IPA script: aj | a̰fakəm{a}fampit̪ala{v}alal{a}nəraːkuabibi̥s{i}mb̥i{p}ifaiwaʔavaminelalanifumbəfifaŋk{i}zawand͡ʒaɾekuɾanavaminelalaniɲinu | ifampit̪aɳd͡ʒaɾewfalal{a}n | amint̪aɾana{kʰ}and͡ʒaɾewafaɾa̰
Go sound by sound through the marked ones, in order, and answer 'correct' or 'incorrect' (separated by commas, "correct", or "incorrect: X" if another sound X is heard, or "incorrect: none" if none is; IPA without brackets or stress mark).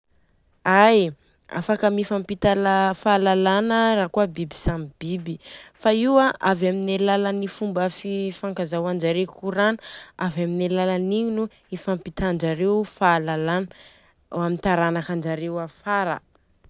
incorrect: i, incorrect: f, correct, incorrect: a, incorrect: b, incorrect: a, correct, incorrect: k